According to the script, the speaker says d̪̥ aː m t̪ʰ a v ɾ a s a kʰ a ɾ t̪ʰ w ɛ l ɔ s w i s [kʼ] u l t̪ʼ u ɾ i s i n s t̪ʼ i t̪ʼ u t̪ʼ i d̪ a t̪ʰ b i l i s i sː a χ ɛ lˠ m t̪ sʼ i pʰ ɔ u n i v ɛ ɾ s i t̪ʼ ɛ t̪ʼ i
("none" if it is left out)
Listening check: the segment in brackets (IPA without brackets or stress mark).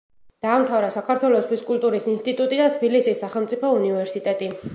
kʼ